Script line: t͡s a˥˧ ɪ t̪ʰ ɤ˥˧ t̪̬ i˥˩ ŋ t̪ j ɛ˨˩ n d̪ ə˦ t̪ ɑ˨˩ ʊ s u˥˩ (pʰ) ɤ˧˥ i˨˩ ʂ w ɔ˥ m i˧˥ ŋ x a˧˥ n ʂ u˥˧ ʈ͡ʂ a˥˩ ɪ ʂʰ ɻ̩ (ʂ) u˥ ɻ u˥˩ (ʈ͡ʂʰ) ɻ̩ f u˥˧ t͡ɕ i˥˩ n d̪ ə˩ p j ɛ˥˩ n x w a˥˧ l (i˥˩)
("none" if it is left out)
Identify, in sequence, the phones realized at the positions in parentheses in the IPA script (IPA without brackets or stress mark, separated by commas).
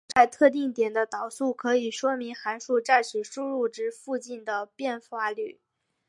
kʰ, ʂ, ʈ͡ʂ, y˥˩